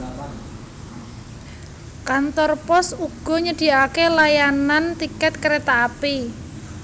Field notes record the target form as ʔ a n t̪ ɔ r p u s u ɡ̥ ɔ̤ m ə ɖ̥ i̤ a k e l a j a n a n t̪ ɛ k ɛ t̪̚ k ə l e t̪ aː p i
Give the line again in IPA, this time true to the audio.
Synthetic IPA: k a n t̪ ɔ r p ɔ s u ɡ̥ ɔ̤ ɲ ə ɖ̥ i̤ a k e l a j a n a n t̪ i k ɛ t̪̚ k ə ɾ e t̪ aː p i